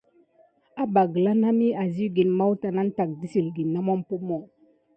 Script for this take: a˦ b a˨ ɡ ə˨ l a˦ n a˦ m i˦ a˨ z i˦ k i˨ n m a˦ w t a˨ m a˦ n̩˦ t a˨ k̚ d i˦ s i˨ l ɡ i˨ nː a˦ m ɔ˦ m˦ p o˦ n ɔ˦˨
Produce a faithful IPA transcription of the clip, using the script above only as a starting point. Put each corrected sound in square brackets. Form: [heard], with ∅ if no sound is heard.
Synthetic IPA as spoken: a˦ b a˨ ɡ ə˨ l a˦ n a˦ m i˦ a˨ z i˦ [ɡ] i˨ n m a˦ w t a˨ [n] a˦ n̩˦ t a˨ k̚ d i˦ s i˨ l ɡ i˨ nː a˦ m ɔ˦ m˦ p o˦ [m] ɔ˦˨